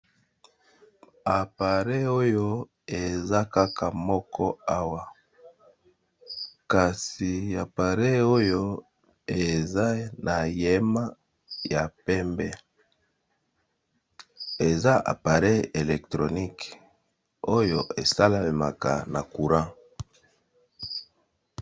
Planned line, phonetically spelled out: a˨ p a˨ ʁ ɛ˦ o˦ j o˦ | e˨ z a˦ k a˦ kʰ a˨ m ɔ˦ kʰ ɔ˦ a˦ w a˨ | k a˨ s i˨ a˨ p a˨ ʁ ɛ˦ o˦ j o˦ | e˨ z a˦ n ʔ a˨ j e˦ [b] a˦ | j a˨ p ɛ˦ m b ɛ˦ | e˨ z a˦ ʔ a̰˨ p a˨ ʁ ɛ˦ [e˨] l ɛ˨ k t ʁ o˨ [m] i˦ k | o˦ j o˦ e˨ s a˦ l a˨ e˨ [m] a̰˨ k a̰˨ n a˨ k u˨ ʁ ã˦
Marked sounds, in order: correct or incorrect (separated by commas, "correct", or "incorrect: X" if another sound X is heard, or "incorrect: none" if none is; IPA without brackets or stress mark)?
incorrect: m, correct, incorrect: n, correct